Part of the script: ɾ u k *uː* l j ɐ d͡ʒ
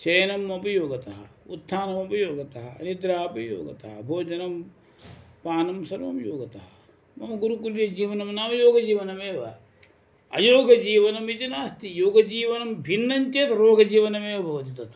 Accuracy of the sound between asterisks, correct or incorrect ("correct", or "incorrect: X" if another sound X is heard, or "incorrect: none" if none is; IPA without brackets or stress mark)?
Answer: incorrect: u